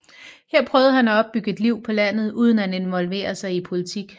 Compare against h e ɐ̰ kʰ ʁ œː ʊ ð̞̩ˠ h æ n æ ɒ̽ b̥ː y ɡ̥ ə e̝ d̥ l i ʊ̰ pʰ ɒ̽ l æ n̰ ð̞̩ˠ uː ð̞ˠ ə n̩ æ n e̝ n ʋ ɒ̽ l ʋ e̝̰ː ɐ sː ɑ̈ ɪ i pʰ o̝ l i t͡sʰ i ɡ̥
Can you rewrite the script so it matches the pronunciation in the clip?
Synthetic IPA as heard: h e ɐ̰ pʰ ʁ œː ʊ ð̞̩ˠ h æ n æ ɒ̽ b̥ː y ɡ̥ ə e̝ d̥ l i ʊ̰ pʰ ɒ̽ l æ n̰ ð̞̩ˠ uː ð̞ˠ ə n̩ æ n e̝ n ʋ ɒ̽ l ʋ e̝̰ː ɐ s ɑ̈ ɪ i pʰ o̝ l i t͡sʰ i ɡ̥